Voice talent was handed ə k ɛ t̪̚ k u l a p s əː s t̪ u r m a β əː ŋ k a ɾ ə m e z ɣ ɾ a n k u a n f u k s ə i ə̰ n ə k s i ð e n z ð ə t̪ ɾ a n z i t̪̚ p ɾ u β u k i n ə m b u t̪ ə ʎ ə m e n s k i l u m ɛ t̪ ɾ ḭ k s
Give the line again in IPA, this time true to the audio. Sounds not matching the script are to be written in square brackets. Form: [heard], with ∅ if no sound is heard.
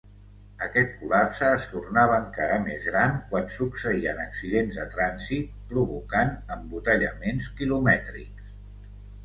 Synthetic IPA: ə k ɛ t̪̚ k u l a p s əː s t̪ u r [n] a β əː ŋ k a ɾ ə m e z ɣ ɾ a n k [w] a n [s] u k s ə i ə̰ n ə k s i ð e n z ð ə t̪ ɾ a n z i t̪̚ p ɾ u β u k [a] n ə m b u t̪ ə ʎ ə m e n s k i l u m ɛ t̪ ɾ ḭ k s